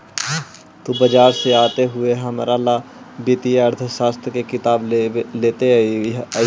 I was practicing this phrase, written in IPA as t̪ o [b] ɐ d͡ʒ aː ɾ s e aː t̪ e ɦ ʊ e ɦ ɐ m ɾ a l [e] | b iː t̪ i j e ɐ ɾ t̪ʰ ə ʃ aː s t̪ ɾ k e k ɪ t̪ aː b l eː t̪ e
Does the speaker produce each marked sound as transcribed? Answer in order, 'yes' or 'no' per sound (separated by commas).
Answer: yes, no